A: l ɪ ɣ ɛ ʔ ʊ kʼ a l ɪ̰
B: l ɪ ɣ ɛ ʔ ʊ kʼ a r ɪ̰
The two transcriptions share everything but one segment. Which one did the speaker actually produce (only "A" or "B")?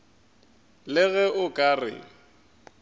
B